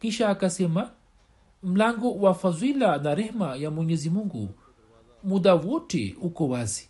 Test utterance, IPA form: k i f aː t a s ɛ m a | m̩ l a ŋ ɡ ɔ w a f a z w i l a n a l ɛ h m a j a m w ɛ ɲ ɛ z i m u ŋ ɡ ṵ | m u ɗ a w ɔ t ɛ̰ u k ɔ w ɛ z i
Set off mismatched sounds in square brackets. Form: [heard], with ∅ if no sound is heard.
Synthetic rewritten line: k i [ʃ] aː [k] a s ɛ m a | m̩ l a ŋ ɡ ɔ w a f a z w i l a n a [ɾ] ɛ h m a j a m w ɛ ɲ ɛ z i m u ŋ ɡ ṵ | m u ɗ a w ɔ t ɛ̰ u k ɔ w [a] z i